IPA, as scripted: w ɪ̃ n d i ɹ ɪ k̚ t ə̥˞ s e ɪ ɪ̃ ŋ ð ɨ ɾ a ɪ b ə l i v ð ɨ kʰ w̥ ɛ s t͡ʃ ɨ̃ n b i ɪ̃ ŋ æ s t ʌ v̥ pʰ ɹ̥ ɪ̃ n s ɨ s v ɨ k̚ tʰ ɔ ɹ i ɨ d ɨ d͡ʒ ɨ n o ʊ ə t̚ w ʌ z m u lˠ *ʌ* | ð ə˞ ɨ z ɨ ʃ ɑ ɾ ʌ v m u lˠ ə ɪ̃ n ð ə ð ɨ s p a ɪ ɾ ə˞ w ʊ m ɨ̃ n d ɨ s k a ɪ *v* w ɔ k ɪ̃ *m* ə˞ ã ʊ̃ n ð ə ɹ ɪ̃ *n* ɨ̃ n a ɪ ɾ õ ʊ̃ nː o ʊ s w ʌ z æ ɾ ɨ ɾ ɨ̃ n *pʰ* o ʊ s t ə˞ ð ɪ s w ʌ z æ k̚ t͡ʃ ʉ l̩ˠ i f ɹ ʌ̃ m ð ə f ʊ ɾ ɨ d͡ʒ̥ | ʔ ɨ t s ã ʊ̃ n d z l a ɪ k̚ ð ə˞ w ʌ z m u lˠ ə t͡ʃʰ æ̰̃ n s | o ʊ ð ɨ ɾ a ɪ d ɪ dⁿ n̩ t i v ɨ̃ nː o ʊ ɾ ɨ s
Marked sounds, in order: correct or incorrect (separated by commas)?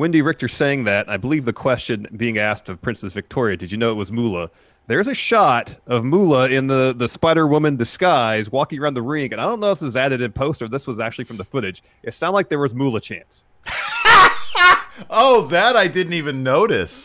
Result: incorrect, incorrect, incorrect, incorrect, correct